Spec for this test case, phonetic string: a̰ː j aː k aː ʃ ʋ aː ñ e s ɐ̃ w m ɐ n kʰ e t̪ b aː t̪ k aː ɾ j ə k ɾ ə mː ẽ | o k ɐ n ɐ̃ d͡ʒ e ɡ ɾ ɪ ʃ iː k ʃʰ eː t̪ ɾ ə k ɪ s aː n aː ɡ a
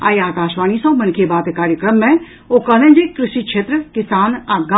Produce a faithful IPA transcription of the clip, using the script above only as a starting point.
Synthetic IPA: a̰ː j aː k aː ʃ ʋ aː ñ i s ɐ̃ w m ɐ n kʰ e b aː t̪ k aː ɾ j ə k ɾ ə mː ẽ | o k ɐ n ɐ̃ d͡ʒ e k ɾ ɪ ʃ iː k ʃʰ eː t̪ ɾ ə k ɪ s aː n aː ɡ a